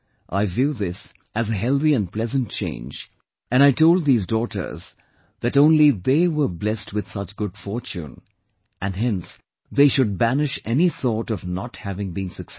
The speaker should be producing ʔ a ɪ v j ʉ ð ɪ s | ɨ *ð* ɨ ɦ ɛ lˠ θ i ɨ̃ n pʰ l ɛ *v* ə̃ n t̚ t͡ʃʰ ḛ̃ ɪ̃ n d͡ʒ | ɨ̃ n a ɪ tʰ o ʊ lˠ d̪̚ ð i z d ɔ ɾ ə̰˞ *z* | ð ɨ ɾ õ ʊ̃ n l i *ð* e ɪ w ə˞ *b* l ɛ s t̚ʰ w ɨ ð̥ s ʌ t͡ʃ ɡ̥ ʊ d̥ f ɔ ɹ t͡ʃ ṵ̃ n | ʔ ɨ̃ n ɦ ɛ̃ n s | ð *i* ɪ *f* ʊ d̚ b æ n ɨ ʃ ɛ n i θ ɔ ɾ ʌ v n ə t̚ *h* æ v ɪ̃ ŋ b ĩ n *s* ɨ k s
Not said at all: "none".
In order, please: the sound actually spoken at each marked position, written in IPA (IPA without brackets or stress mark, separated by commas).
z, z, z, ð, b, e, ʃ, h, s